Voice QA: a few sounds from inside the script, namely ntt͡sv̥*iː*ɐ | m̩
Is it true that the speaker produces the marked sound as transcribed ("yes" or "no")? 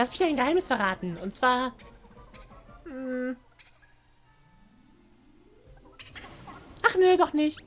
no